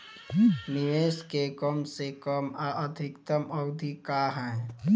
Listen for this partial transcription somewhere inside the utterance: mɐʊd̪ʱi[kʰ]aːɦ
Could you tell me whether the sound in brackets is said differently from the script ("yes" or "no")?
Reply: yes